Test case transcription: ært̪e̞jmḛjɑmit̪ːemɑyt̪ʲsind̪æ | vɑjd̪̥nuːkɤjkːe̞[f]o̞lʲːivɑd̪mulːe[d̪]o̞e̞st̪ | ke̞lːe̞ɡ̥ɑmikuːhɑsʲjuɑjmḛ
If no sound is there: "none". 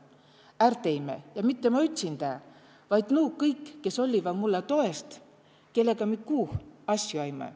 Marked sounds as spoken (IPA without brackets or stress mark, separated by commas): s, t̪